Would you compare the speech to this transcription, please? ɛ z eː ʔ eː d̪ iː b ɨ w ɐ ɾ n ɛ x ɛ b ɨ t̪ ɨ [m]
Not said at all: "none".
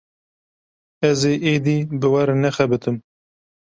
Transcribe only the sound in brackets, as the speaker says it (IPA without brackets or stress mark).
m